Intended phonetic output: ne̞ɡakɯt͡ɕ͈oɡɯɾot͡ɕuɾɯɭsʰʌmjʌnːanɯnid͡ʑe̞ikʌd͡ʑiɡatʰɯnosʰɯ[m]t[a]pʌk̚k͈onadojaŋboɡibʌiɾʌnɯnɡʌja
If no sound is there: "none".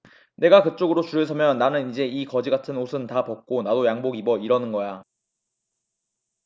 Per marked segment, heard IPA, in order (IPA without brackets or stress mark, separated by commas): n, a